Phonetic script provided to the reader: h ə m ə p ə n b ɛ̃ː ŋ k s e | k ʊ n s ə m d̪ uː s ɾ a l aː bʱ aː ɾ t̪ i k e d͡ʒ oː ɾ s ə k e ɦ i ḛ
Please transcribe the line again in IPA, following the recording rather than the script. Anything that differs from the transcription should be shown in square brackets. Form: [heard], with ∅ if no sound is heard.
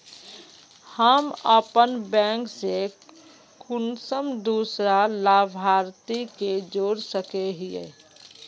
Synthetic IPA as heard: h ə m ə p ə n b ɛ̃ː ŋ k s e | k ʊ n s ə m d̪ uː s ɾ a l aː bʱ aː ɾ t̪ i k e d͡ʒ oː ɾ s ə k e ɦ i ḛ

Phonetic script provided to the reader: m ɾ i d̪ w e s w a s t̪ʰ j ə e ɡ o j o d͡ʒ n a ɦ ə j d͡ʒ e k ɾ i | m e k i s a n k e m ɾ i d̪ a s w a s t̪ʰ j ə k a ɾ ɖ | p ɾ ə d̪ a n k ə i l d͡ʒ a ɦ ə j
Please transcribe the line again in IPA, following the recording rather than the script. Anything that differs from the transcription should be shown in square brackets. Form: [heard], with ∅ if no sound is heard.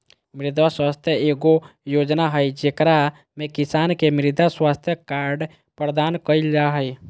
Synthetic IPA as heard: m ɾ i d̪ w [a] s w a s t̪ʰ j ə e ɡ o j o d͡ʒ n a ɦ ə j d͡ʒ e k ɾ [a] | m e k i s a n k e m ɾ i d̪ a s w a s t̪ʰ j ə k a ɾ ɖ | p ɾ ə d̪ a n k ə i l d͡ʒ a ɦ ə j

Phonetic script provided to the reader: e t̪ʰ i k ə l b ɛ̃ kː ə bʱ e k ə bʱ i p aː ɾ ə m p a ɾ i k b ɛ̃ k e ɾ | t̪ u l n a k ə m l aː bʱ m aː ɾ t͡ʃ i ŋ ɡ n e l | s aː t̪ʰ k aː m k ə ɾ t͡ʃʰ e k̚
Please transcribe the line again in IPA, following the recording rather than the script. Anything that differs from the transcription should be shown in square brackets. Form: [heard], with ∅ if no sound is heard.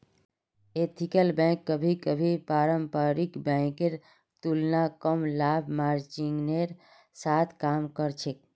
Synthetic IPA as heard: e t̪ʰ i k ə l b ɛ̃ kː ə bʱ [i] k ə bʱ i p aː ɾ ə m p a ɾ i k b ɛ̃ k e ɾ | t̪ u l n a k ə m l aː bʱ m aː ɾ t͡ʃ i ŋ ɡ n e [ɾ] | s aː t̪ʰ k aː m k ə ɾ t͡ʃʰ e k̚

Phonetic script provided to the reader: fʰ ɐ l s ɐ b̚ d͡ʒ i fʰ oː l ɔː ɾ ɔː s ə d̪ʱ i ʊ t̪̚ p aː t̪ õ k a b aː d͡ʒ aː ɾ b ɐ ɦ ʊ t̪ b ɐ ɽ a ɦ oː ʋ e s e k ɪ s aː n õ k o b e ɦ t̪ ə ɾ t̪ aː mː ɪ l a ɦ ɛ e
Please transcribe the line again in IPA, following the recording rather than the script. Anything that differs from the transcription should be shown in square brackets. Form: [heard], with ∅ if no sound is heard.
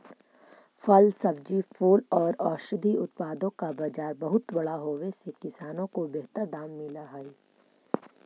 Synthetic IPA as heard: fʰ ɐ l s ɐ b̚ d͡ʒ i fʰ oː l ɔː ɾ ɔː [ʃ] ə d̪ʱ i ʊ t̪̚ p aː [d̪] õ k a b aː d͡ʒ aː ɾ b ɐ ɦ ʊ t̪ b ɐ ɽ a ɦ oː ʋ e s e k ɪ s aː n õ k o b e ɦ t̪ ə ɾ [d̪] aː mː ɪ l a ɦ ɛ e

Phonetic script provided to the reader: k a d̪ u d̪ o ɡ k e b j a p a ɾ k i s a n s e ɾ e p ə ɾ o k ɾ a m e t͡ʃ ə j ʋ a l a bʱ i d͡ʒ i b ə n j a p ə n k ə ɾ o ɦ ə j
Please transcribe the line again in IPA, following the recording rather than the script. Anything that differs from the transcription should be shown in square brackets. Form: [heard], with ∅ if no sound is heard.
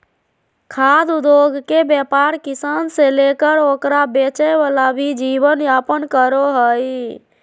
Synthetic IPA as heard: [kʰ] a d̪ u d̪ o ɡ k e b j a p a ɾ k i s a n s e [l] e [k] ə ɾ o k ɾ a [b] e t͡ʃ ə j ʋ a l a bʱ i d͡ʒ i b ə n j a p ə n k ə ɾ o ɦ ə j

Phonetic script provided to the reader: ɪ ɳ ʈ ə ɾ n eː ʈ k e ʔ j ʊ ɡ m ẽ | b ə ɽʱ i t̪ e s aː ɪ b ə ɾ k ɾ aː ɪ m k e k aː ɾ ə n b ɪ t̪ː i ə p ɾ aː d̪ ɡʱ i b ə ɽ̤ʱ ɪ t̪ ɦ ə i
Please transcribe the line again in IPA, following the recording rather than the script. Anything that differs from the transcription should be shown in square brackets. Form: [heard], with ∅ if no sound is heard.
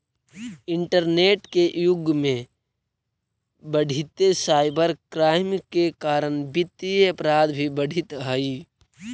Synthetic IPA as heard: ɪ ɳ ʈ ə ɾ n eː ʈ k e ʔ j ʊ ɡ m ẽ | b ə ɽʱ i t̪ e s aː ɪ b ə ɾ k ɾ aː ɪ m k e k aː ɾ ə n b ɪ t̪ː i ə p ɾ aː d̪ [bʱ] i b ə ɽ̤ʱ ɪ t̪ ɦ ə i

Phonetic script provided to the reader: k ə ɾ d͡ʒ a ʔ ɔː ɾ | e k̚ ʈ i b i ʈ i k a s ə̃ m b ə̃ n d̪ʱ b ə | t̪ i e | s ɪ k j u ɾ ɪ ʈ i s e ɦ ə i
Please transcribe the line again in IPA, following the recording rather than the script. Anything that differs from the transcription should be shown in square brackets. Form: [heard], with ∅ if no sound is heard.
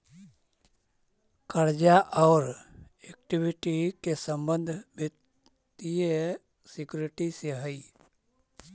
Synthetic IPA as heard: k ə ɾ d͡ʒ a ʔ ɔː ɾ | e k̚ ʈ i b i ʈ i k [e] s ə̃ m b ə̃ n d̪ʱ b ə | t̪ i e | s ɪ k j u ɾ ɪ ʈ i s e ɦ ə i

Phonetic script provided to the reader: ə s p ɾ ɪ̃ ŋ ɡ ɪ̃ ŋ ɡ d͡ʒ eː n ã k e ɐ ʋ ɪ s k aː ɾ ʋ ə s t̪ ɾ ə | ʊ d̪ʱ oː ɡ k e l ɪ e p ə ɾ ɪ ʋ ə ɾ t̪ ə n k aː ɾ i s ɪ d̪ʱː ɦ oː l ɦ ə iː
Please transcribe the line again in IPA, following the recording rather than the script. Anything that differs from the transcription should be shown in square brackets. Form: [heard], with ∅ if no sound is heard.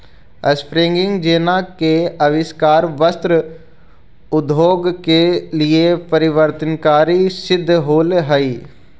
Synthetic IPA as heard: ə s p ɾ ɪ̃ ŋ ɡ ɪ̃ ŋ ɡ d͡ʒ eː n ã k e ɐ ʋ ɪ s k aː ɾ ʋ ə s t̪ ɾ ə | ʊ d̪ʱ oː ɡ k e l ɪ e p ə ɾ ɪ ʋ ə ɾ t̪ ə n k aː ɾ i s ɪ d̪ʱː ɦ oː l ɦ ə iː

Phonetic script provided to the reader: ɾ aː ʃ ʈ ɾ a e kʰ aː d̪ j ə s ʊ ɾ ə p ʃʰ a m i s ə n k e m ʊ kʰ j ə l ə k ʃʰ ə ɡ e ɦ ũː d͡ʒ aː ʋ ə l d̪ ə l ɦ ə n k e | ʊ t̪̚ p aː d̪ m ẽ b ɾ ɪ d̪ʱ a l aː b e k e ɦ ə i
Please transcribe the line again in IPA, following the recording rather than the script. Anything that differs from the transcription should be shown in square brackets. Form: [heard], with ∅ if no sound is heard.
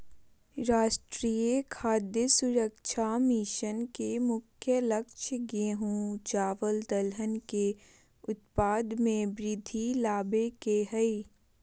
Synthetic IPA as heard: ɾ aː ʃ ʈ ɾ [i] e kʰ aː d̪ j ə s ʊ ɾ ə [k] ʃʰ a m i [ʃ] ə n k e m ʊ kʰ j ə l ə k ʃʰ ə ɡ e ɦ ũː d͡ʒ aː ʋ ə l d̪ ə l ɦ ə n k e | ʊ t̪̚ p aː d̪ m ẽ b ɾ ɪ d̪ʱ [i] l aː b e k e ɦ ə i

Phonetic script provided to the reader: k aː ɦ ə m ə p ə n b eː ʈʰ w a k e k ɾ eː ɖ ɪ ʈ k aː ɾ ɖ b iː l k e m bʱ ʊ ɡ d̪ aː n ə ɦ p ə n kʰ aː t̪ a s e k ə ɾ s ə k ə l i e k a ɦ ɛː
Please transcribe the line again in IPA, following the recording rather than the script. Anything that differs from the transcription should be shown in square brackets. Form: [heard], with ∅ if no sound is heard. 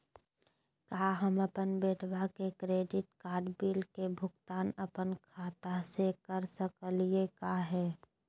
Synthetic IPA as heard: k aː ɦ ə m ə p ə n b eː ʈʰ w a k e k ɾ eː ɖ ɪ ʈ k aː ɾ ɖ b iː l k e [∅] bʱ ʊ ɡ [t̪] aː n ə [∅] p ə n kʰ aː t̪ a s e k ə ɾ s ə k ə l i e k a ɦ ɛː

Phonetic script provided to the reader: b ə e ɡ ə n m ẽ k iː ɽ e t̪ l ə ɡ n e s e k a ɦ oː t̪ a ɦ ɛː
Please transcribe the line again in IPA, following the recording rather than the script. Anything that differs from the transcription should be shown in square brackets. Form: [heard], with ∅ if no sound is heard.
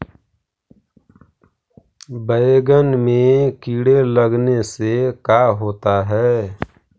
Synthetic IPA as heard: b ə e ɡ ə n m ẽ k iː ɽ e [∅] l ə ɡ n e s e k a ɦ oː t̪ a ɦ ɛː

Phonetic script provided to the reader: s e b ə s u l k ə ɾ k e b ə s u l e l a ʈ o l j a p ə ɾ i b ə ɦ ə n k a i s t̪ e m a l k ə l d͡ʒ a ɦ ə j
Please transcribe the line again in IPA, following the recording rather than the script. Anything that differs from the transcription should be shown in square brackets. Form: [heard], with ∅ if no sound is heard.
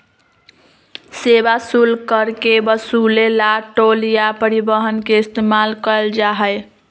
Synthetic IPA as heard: s e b [a] s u l k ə ɾ k e b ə s u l e l a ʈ o l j a p ə ɾ i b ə ɦ ə n k [e] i s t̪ e m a l k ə l d͡ʒ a ɦ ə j

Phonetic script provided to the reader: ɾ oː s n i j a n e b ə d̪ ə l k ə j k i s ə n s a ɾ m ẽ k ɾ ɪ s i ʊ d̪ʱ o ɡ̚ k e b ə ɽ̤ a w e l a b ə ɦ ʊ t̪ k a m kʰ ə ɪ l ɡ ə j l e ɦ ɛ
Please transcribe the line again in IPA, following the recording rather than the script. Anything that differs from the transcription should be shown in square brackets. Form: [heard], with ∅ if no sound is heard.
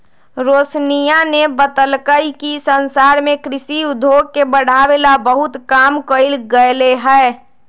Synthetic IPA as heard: ɾ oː s n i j a n e b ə [t̪] ə l k ə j k i s ə n s a ɾ m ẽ k ɾ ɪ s i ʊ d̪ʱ o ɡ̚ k e b ə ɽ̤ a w e l a b ə ɦ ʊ t̪ k a m [k] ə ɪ l ɡ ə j l e ɦ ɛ

